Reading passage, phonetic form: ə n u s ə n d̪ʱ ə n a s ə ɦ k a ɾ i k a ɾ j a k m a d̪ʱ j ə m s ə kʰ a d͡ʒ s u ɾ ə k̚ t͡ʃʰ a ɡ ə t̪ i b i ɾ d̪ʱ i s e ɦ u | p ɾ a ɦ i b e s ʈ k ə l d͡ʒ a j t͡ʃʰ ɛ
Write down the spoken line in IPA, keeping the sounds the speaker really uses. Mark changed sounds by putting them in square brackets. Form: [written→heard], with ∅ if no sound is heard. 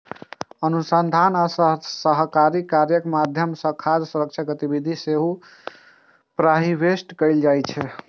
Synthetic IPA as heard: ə n u s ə n d̪ʱ [ə→a] n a s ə ɦ k a ɾ i k a ɾ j [a→ə] k m a d̪ʱ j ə m s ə kʰ a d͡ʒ s u ɾ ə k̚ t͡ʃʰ a ɡ ə t̪ i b i [ɾ→∅] d̪ʱ i s e ɦ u | p ɾ a ɦ i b e s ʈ k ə l d͡ʒ a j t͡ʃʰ ɛ